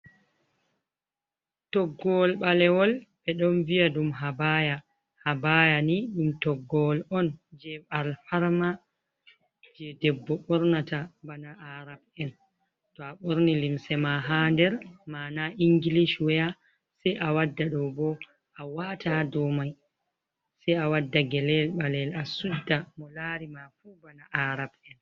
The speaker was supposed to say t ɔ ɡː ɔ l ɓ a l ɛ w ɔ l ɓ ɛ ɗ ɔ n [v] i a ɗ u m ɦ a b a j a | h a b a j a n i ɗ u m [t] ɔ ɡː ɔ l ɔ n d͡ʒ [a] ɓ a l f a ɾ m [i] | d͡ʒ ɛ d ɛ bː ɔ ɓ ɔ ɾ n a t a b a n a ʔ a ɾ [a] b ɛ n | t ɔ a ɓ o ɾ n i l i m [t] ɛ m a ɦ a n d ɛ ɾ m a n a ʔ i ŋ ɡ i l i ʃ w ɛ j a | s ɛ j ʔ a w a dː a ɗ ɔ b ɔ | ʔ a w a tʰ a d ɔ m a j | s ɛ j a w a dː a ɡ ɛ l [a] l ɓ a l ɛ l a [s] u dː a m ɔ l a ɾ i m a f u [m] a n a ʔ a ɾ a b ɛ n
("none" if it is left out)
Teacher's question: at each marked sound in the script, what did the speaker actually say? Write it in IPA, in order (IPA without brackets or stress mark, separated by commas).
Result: v, t, ɛ, a, a, s, ɛ, s, b